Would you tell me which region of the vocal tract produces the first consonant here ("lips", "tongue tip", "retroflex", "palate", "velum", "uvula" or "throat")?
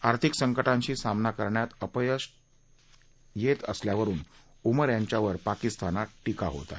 tongue tip